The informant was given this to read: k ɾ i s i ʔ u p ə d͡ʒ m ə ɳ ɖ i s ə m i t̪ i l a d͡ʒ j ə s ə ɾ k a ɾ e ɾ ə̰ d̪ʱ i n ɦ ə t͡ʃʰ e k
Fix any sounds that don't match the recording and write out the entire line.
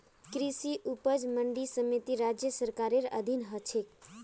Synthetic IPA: k ɾ i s i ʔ u p ə d͡ʒ m ə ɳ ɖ i s ə m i t̪ i ɾ a d͡ʒ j ə s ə ɾ k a ɾ e ɾ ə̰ d̪ʱ i n ɦ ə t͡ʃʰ e k